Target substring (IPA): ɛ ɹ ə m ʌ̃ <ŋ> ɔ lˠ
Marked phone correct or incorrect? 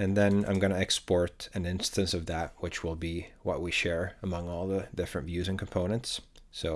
correct